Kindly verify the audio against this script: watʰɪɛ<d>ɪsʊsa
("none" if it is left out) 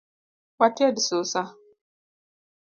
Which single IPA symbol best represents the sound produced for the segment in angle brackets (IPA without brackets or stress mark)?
d